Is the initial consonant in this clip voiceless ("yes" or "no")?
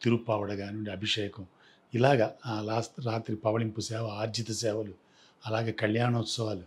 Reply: yes